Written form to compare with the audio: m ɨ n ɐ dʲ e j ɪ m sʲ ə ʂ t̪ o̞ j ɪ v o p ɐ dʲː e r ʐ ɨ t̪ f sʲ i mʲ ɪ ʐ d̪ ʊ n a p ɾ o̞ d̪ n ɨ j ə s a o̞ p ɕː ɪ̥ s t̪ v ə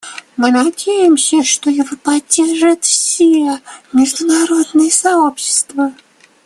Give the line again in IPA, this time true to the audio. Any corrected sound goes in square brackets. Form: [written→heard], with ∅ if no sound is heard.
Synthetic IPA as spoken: m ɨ n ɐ dʲ e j ɪ m sʲ ə ʂ t̪ o̞ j ɪ v o p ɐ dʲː e r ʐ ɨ t̪ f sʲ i mʲ ɪ ʐ d̪ ʊ n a [p→∅] ɾ o̞ d̪ n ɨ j ə s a o̞ p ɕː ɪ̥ s t̪ v ə